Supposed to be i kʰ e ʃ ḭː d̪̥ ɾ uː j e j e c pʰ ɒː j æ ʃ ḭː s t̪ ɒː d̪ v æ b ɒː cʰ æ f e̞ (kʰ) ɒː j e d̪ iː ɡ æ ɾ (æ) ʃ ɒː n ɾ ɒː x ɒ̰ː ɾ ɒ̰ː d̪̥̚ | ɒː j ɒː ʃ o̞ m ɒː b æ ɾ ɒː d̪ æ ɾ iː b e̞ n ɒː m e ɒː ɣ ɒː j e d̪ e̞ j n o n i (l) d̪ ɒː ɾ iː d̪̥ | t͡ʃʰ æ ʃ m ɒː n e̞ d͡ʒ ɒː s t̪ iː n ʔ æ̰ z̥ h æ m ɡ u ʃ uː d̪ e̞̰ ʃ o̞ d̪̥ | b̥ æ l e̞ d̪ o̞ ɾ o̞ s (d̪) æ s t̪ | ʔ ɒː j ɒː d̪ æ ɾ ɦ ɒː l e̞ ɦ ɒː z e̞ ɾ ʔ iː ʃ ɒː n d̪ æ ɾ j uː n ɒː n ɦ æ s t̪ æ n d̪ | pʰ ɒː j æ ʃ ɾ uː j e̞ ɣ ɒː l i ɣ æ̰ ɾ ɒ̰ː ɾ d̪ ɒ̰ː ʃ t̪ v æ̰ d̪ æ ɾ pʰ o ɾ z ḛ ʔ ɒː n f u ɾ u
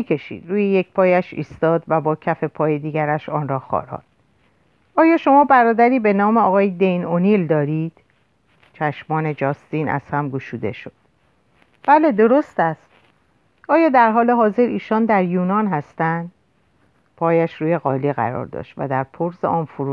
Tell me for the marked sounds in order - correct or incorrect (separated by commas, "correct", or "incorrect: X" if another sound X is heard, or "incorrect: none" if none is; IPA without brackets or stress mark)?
incorrect: pʰ, correct, correct, incorrect: t̪